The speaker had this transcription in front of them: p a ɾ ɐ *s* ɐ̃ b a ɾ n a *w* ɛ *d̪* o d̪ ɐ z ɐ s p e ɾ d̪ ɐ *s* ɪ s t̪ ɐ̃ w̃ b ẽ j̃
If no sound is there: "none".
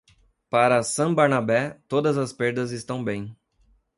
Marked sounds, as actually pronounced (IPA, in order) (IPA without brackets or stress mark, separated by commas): s, b, t̪, z